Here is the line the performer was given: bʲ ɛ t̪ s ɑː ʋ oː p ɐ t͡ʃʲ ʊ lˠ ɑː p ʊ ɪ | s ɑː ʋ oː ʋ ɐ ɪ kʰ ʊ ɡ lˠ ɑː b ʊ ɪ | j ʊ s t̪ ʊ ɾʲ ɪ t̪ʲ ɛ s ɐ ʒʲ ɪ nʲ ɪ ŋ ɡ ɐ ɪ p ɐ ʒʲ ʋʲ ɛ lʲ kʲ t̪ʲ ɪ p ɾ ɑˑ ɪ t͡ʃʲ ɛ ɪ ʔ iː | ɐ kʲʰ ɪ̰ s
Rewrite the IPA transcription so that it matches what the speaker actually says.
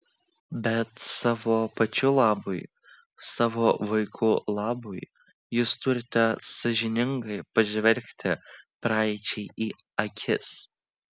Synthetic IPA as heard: bʲ ɛ t̪ s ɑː ʋ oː p ɐ t͡ʃʲ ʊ lˠ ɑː b ʊ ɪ | s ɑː ʋ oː ʋ ɐ ɪ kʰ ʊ lˠ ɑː b ʊ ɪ | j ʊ s t̪ ʊ ɾʲ ɪ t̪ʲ ɛ s ɐ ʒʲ ɪ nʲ ɪ ŋ ɡ ɐ ɪ p ɐ ʒʲ ʋʲ ɛ lʲ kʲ t̪ʲ ɪ p ɾ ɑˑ ɪ t͡ʃʲ ɛ ɪ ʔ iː | ɐ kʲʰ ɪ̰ s

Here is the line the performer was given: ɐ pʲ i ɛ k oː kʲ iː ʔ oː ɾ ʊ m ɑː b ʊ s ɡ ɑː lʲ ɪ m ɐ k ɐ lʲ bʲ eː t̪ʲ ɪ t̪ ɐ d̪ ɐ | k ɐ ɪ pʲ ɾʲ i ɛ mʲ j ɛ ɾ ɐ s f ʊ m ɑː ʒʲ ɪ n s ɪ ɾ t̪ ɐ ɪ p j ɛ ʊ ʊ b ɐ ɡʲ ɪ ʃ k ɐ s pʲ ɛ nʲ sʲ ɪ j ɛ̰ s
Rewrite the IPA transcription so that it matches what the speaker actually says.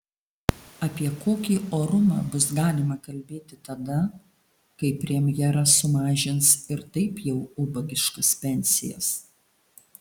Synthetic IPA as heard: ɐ pʲ i ɛ k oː kʲ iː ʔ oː ɾ ʊ m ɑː b ʊ s ɡ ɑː lʲ ɪ m ɐ k ɐ lʲ bʲ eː t̪ʲ ɪ t̪ ɐ d̪ ɐ | k ɐ ɪ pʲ ɾʲ i ɛ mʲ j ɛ ɾ ɐ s s ʊ m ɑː ʒʲ ɪ n s ɪ ɾ t̪ ɐ ɪ p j ɛ ʊ ʊ b ɐ ɡʲ ɪ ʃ k ɐ s pʲ ɛ nʲ sʲ ɪ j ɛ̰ s

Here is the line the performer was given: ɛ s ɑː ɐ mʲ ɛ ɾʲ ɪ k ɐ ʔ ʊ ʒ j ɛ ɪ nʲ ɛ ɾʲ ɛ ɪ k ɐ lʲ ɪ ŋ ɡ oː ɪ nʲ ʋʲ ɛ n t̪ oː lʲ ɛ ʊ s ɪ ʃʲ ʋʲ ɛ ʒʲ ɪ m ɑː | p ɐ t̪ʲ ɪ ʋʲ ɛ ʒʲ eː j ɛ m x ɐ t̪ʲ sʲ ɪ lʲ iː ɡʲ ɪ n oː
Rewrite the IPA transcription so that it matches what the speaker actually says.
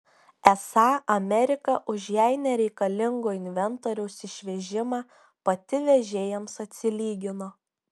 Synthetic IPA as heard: ɛ s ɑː ɐ mʲ ɛ ɾʲ ɪ k ɐ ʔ ʊ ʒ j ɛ ɪ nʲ ɛ ɾʲ ɛ ɪ k ɐ lʲ ɪ ŋ ɡ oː ɪ nʲ ʋʲ ɛ n t̪ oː ɾʲ ɛ ʊ s ɪ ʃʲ ʋʲ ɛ ʒʲ ɪ m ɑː | p ɐ t̪ʲ ɪ ʋʲ ɛ ʒʲ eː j ɛ m s ɐ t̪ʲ sʲ ɪ lʲ iː ɡʲ ɪ n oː

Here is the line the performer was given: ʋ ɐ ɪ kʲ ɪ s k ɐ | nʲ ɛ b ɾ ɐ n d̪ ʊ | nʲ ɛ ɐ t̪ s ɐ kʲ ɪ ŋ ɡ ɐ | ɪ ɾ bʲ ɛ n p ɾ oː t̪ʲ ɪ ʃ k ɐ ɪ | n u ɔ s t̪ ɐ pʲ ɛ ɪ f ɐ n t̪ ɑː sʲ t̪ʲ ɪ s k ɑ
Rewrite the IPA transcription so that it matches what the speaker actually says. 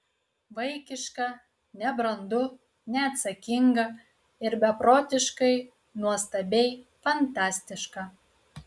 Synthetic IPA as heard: ʋ ɐ ɪ kʲ ɪ ʃ k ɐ | nʲ ɛ b ɾ ɐ n d̪ ʊ | nʲ ɛ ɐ t̪ s ɐ kʲ ɪ ŋ ɡ ɐ | ɪ ɾ bʲ ɛ p ɾ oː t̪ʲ ɪ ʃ k ɐ ɪ | n u ɔ s t̪ ɐ bʲ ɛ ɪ f ɐ n t̪ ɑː sʲ t̪ʲ ɪ ʃ k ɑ

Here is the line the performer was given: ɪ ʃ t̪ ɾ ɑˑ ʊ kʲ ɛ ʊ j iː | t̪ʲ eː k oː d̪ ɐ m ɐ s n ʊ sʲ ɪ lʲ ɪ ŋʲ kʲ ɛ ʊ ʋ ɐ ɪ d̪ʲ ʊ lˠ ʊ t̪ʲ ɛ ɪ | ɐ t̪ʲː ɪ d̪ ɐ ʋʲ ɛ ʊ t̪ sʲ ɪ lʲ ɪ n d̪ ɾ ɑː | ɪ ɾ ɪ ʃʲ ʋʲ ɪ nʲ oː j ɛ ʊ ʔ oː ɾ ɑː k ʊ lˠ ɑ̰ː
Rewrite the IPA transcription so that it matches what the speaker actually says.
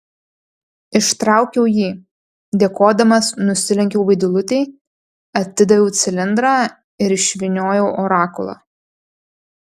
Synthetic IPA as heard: ɪ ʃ t̪ ɾ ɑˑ ʊ kʲ ɛ ʊ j iː | d̪ʲ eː k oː d̪ ɐ m ɐ s n ʊ sʲ ɪ lʲ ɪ ŋʲ kʲ ɛ ʊ ʋ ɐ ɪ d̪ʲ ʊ lˠ ʊ t̪ʲ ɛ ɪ | ɐ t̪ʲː ɪ d̪ ɐ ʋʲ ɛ ʊ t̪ sʲ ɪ lʲ ɪ n d̪ ɾ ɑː | ɪ ɾ ɪ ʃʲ ʋʲ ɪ nʲ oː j ɛ ʊ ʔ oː ɾ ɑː k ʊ lˠ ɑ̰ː

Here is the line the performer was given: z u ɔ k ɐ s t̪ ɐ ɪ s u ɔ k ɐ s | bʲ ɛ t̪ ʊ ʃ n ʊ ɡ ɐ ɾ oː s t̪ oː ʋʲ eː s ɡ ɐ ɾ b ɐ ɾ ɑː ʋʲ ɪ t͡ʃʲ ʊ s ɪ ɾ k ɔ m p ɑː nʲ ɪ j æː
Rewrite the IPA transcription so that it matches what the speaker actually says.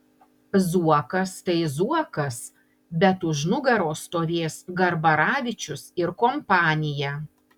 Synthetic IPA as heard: z u ɔ k ɐ s t̪ ɐ ɪ z u ɔ k ɐ s | bʲ ɛ t̪ ʊ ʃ n ʊ ɡ ɐ ɾ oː s t̪ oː ʋʲ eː s ɡ ɐ ɾ b ɐ ɾ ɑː ʋʲ ɪ t͡ʃʲ ʊ s ɪ ɾ k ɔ m p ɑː nʲ ɪ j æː

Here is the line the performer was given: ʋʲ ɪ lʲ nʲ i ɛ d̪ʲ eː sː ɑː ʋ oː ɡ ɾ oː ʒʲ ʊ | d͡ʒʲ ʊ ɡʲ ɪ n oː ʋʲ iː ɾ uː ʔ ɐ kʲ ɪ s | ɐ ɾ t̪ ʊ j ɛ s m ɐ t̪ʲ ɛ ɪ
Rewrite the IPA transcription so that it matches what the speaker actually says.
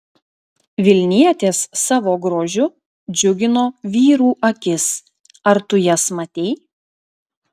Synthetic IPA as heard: ʋʲ ɪ lʲ nʲ i ɛ t̪ʲ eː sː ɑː ʋ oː ɡ ɾ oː ʒʲ ʊ | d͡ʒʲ ʊ ɡʲ ɪ n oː ʋʲ iː ɾ uː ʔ ɐ kʲ ɪ s | ɐ ɾ t̪ ʊ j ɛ s m ɐ t̪ʲ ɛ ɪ

